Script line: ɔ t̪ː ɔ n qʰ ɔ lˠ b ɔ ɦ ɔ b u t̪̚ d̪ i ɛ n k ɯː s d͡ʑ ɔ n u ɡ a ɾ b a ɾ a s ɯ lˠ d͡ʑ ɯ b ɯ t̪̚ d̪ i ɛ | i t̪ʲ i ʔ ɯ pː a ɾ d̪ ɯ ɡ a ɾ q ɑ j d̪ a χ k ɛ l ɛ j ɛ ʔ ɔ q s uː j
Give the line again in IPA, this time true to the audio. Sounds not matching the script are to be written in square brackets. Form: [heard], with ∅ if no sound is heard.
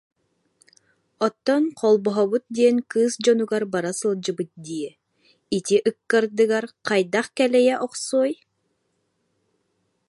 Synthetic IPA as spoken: ɔ t̪ː ɔ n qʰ ɔ lˠ b ɔ ɦ ɔ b u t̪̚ d̪ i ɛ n k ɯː s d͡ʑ ɔ n u ɡ a ɾ b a ɾ a s ɯ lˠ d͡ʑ ɯ b ɯ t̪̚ d̪ i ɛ | i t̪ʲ i ʔ ɯ [kː] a ɾ d̪ ɯ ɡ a ɾ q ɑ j d̪ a χ k ɛ l ɛ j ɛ ʔ ɔ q s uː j